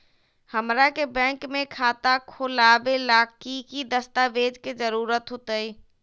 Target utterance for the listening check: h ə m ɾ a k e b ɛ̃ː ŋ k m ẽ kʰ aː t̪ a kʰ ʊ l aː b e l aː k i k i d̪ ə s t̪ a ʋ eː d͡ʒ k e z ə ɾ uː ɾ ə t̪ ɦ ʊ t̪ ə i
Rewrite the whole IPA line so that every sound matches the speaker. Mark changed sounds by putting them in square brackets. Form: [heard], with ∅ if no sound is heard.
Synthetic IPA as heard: h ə m ɾ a k e b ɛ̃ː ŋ k m ẽ kʰ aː t̪ a kʰ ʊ l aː b e l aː k i k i d̪ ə s t̪ a ʋ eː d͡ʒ k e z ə ɾ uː ɾ ə t̪ ɦ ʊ t̪ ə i